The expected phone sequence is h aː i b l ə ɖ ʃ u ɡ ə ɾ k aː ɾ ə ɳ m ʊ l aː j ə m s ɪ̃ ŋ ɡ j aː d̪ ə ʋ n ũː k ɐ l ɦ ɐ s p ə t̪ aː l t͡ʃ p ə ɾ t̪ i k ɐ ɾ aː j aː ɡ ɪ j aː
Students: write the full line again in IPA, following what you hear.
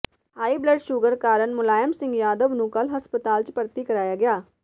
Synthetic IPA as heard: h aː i b l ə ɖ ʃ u ɡ ə ɾ k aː ɾ ə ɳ m ʊ l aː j ə m s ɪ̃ ŋ ɡ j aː d̪ ə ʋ n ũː k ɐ l ɦ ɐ s p ə t̪ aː l t͡ʃ p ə ɾ t̪ i k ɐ ɾ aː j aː ɡ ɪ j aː